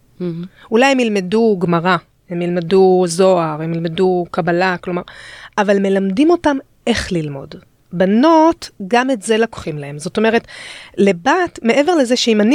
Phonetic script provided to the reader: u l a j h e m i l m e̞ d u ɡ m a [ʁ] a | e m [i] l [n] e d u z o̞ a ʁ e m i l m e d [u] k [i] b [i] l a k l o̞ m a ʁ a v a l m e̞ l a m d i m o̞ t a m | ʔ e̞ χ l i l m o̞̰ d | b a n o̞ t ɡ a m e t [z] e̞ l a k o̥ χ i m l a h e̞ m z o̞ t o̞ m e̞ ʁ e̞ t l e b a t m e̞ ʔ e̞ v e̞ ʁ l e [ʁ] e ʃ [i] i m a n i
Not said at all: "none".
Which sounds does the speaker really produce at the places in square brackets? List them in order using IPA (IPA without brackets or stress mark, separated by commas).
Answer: ʁ, i, m, u, a, a, z, z, e